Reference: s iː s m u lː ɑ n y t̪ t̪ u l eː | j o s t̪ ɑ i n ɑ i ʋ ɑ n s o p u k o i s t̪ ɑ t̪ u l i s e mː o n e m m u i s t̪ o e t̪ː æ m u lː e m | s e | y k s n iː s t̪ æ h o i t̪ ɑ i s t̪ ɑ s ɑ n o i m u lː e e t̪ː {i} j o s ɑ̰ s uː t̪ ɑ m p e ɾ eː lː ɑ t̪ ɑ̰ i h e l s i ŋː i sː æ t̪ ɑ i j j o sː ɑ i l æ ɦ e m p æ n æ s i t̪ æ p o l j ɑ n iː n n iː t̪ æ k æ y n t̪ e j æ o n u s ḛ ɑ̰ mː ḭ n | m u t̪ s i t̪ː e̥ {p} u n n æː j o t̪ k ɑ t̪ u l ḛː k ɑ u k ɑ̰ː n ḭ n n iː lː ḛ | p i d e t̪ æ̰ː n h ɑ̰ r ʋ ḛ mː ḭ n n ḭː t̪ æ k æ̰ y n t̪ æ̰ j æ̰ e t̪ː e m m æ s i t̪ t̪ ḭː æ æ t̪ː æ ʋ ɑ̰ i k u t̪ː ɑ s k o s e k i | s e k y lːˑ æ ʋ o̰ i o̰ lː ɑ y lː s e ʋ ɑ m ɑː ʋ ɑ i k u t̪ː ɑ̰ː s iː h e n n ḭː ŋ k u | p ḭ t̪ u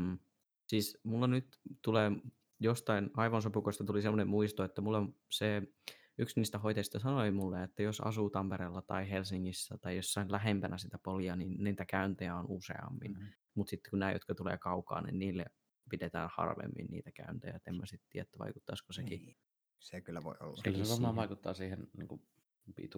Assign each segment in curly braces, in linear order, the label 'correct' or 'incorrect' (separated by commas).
incorrect, incorrect